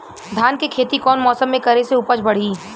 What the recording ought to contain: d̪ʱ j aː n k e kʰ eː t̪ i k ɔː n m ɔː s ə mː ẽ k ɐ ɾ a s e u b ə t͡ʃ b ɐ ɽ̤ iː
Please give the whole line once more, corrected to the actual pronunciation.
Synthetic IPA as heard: d̪ʱ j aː n k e kʰ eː t̪ i k ɔː n m ɔː s ə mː ẽ k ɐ ɾ e s e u p ə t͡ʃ b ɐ ɽ̤ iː